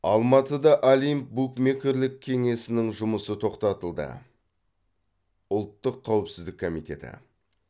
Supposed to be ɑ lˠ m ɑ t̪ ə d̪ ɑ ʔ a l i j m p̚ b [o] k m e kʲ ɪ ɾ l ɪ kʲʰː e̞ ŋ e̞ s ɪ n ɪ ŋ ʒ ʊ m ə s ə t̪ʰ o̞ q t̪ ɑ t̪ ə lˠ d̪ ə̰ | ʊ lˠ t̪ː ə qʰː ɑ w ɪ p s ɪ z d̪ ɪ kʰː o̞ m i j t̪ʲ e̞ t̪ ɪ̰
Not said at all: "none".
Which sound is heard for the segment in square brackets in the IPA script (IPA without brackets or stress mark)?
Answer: u